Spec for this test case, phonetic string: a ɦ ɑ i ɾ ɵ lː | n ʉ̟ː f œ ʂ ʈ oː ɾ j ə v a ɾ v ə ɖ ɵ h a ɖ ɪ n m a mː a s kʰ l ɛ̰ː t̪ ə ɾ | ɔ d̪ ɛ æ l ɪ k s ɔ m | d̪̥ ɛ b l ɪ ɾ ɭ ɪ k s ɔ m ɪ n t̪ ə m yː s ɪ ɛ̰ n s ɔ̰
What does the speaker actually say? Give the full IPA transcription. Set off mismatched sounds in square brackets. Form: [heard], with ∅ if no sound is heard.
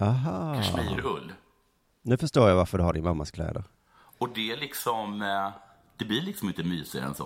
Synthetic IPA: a ɦ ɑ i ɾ ɵ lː | n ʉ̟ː f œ ʂ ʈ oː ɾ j [a] v a ɾ [f] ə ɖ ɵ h a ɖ ɪ n m a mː a s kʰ l ɛ̰ː [d̪] ə ɾ | ɔ d̪ ɛ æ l ɪ k s ɔ m | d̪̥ ɛ b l ɪ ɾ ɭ ɪ k s ɔ m ɪ n t̪ ə m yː s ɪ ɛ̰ n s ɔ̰